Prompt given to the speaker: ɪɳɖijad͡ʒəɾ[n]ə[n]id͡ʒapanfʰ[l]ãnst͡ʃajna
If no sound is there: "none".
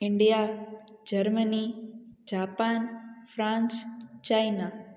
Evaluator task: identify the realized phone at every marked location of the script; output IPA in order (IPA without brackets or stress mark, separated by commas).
m, n, ɾ